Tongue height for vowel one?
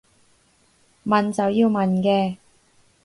low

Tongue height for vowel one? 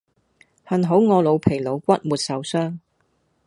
low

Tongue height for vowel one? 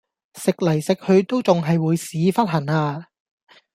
high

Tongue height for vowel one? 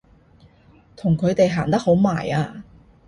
high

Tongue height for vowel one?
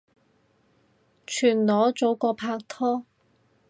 high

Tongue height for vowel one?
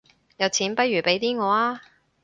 low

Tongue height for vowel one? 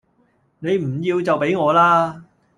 mid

